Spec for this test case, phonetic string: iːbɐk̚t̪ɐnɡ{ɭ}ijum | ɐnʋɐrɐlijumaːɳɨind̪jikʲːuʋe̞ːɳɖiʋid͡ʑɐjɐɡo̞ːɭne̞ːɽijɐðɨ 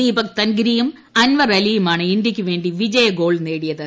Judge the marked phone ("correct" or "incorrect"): incorrect